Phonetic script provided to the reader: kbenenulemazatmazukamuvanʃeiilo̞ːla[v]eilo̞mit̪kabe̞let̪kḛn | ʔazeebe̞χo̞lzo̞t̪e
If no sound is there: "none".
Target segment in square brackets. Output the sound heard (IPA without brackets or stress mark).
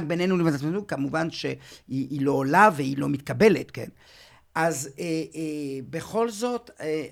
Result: v